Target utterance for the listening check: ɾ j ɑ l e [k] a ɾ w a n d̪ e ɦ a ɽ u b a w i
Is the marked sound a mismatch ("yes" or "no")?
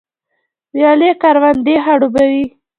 no